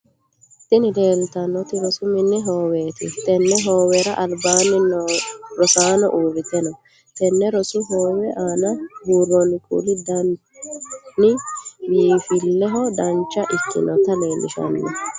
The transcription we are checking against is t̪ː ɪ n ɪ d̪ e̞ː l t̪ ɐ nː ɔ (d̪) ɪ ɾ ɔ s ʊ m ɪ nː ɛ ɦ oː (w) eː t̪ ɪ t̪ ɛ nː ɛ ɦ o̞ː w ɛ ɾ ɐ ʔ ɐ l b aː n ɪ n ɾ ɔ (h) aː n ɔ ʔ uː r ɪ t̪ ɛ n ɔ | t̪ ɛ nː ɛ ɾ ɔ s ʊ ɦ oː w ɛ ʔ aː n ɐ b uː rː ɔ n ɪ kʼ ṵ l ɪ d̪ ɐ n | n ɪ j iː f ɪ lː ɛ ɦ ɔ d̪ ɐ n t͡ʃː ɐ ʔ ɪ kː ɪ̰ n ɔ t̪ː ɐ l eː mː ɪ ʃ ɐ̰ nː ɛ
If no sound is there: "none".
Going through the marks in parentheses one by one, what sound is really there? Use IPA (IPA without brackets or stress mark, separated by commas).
t̪, w, s